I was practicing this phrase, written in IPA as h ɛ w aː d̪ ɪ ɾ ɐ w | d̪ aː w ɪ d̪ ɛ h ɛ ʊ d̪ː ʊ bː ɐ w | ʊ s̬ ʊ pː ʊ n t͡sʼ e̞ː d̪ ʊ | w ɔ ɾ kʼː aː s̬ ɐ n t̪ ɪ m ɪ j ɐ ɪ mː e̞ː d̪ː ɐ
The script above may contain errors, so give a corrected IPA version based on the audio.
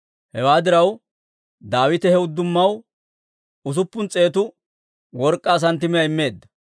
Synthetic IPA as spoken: h ɛ w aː d̪ ɪ ɾ ɐ w | d̪ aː w ɪ t̪ ɛ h ɛ ʊ d̪ː ʊ mː ɐ w | ʊ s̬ ʊ pː ʊ n t͡sʼ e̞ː t̪ ʊ | w ɔ ɾ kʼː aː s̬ ɐ n t̪ ɪ m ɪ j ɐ ɪ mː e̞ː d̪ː ɐ